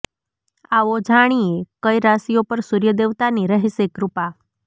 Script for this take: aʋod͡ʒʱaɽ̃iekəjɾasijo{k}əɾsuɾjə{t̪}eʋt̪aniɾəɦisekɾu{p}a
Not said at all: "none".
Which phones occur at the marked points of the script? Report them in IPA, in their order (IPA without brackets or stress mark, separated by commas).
p, d̪, p